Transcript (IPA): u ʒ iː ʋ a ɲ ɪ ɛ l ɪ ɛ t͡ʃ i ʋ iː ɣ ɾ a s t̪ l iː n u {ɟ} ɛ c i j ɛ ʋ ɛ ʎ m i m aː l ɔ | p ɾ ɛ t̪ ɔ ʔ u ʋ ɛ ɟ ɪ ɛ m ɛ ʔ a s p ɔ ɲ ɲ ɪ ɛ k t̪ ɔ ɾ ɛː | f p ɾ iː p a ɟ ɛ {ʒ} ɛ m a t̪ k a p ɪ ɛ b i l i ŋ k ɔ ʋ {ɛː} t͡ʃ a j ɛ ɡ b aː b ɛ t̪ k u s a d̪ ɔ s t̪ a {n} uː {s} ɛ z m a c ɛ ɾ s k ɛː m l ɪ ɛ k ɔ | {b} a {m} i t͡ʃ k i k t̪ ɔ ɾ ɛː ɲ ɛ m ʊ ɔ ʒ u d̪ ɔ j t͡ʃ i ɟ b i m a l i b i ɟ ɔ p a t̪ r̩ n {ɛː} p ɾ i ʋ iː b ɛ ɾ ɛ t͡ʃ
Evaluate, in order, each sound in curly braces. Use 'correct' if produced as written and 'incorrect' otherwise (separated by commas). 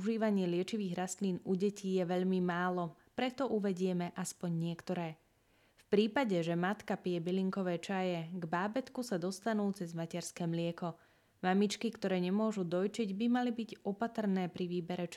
correct, correct, correct, correct, incorrect, incorrect, correct, correct